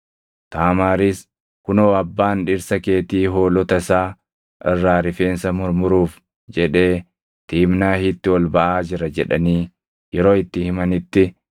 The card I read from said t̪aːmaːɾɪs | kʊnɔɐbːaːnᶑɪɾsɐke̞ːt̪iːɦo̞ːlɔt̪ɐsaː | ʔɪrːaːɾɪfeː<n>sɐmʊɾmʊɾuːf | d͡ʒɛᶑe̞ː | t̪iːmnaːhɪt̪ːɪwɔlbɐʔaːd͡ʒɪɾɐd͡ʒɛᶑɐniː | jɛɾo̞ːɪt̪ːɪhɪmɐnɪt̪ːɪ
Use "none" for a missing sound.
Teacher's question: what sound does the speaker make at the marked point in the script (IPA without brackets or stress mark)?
n